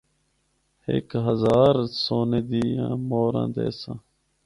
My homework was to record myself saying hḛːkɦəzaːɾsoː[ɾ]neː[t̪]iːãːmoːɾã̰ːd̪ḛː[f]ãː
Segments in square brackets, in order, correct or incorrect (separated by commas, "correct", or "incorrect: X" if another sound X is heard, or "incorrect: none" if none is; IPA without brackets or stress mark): incorrect: none, incorrect: d̪, incorrect: s